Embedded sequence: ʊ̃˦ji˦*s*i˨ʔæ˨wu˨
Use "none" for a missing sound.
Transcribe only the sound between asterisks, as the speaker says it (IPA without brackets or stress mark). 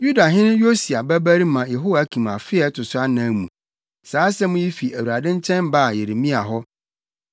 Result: f